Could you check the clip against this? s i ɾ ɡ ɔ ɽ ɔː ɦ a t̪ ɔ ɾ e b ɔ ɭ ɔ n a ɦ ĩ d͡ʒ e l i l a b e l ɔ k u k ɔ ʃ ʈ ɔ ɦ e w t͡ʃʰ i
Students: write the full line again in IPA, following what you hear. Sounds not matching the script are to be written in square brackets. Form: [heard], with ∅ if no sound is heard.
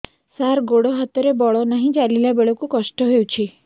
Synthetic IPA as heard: s [a] ɾ ɡ [o] ɽ [ɔ] ɦ a t̪ ɔ ɾ e b ɔ ɭ ɔ n a ɦ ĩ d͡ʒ [a] l i l a b e [ɭ] ɔ k u k ɔ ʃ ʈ ɔ ɦ e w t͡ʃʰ i